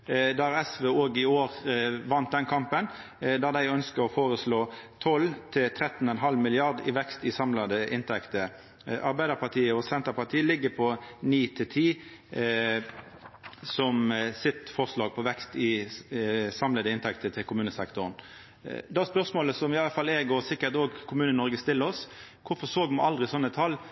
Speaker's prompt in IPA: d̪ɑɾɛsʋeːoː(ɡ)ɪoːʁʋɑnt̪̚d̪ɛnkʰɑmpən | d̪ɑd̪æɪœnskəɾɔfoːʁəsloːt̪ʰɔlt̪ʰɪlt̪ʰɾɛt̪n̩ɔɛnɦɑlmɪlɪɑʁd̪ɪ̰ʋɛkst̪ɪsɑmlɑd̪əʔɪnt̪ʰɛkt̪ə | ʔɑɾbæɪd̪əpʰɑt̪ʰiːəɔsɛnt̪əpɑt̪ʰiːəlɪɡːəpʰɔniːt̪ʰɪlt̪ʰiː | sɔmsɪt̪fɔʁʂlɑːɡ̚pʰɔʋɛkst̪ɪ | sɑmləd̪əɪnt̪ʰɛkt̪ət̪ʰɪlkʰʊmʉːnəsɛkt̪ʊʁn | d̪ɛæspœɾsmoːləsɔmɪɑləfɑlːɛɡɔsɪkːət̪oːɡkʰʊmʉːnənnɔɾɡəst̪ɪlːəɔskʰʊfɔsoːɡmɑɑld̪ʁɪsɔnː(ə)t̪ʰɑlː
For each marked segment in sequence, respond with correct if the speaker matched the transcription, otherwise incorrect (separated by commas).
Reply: correct, correct